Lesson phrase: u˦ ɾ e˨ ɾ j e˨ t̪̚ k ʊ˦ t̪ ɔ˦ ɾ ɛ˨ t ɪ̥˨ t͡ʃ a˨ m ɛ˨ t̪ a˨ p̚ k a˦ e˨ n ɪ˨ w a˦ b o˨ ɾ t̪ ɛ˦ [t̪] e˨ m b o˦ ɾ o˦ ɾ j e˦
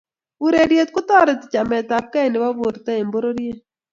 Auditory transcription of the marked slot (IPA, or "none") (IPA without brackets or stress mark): none